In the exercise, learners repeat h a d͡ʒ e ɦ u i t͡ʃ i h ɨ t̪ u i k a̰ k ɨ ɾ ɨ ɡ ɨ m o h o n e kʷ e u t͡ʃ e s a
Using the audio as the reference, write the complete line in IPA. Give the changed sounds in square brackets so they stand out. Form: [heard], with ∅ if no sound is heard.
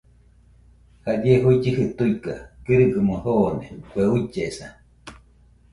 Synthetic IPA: h a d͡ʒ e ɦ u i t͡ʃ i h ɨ t̪ u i k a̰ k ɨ ɾ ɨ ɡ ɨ m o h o n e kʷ e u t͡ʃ e s a